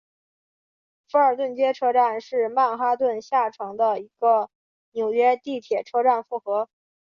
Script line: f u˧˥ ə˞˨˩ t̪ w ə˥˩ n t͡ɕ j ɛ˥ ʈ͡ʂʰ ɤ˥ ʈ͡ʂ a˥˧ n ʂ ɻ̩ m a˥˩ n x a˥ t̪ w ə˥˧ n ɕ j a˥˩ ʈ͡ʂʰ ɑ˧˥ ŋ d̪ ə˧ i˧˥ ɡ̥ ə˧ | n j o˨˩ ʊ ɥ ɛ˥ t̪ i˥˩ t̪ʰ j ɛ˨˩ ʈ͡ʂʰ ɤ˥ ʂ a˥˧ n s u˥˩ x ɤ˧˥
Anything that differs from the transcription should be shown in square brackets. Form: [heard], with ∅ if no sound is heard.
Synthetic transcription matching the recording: f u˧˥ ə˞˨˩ t̪ w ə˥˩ n t͡ɕ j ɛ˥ ʈ͡ʂʰ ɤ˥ ʈ͡ʂ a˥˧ n ʂ ɻ̩ m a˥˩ n x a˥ t̪ w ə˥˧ n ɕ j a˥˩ ʈ͡ʂʰ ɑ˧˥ ŋ d̪ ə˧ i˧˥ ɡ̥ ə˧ | n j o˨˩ ʊ ɥ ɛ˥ t̪ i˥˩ t̪ʰ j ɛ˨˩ ʈ͡ʂʰ ɤ˥ [ʈ͡ʂ] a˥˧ n [f] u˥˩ x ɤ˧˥

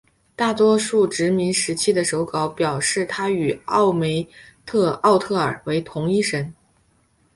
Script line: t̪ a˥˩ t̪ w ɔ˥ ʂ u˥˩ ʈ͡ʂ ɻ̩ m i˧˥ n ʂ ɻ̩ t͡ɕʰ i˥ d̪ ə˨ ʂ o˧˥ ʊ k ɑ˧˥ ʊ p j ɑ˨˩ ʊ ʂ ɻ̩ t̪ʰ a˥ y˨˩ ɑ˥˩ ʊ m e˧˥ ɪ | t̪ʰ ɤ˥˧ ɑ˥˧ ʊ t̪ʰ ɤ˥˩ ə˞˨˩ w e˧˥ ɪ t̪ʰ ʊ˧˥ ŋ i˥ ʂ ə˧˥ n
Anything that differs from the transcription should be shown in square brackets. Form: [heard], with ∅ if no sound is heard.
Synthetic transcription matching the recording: t̪ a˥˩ t̪ w ɔ˥ ʂ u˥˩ ʈ͡ʂ ɻ̩ m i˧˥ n ʂ ɻ̩ t͡ɕʰ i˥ d̪ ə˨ ʂ o˧˥ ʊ k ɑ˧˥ ʊ p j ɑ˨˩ ʊ ʂ ɻ̩ t̪ʰ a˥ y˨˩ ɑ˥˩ ʊ m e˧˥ ɪ | t̪ʰ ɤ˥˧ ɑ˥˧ ʊ t̪ʰ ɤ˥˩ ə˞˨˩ w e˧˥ ɪ t̪ʰ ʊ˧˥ ŋ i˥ ʂ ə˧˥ n

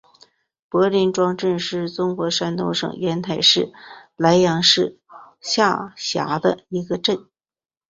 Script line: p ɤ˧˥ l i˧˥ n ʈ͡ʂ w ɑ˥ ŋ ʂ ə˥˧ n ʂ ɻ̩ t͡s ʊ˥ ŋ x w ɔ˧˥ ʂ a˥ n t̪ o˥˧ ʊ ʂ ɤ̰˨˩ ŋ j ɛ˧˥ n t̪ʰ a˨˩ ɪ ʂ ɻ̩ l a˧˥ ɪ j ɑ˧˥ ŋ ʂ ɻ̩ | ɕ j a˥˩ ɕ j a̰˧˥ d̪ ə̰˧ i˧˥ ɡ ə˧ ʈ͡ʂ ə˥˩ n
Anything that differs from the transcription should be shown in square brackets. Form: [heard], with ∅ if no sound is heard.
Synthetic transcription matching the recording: p ɤ˧˥ l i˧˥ n ʈ͡ʂ w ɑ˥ ŋ [ʈ͡ʂ] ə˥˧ n ʂ ɻ̩ t͡s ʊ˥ ŋ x w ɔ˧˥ ʂ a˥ n t̪ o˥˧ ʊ ʂ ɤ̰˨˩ ŋ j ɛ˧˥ n t̪ʰ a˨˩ ɪ ʂ ɻ̩ l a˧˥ ɪ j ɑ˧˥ ŋ ʂ ɻ̩ | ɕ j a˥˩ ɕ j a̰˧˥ d̪ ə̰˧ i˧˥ ɡ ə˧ ʈ͡ʂ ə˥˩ n

